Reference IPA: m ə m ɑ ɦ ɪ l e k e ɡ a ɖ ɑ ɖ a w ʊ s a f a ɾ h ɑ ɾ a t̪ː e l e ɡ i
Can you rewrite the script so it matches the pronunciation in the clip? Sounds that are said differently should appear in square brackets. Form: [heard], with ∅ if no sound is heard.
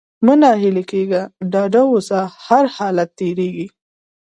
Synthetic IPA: m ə [n] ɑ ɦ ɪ l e k e ɡ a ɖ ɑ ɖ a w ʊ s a [h] a ɾ h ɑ [l] a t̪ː e [ɾ] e ɡ i